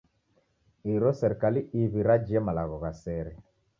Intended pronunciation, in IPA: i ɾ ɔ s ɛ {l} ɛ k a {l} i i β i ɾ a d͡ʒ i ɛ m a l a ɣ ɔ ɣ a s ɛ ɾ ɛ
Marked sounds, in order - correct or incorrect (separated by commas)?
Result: incorrect, correct